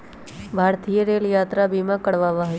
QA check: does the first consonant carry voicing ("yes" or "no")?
yes